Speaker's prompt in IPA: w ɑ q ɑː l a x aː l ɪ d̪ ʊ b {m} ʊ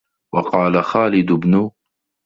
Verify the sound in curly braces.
incorrect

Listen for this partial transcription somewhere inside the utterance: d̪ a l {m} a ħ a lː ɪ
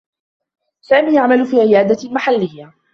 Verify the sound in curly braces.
correct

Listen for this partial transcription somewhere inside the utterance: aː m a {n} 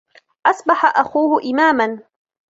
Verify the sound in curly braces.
correct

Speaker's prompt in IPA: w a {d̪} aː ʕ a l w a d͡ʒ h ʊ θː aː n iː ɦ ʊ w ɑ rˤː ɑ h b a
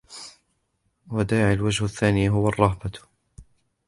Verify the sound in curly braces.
correct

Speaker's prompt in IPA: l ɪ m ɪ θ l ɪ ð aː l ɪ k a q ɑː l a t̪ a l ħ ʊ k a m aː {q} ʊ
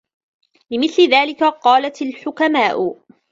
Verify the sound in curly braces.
incorrect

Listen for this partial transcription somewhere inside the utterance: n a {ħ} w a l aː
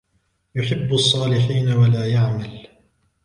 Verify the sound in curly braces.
incorrect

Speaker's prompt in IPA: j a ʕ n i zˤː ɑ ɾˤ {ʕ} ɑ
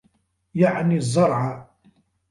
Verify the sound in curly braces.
correct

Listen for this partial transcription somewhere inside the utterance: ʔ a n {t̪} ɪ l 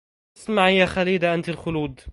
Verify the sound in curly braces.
correct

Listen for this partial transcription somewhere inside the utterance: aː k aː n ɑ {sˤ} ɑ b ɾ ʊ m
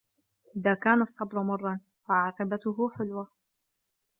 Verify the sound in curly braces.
incorrect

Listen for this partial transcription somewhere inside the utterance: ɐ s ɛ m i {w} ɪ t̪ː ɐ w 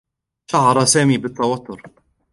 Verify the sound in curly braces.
incorrect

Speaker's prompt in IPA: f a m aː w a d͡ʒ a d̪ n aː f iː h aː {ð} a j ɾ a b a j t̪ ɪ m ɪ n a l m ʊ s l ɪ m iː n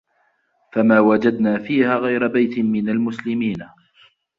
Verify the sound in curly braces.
incorrect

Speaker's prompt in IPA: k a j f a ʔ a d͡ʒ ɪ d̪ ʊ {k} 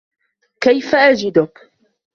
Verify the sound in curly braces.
correct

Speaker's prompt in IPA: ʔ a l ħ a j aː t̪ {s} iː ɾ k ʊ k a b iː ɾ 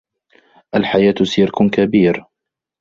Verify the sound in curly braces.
correct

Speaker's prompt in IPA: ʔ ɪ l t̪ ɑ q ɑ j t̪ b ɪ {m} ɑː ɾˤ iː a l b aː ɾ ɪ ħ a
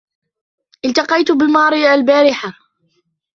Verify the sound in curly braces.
correct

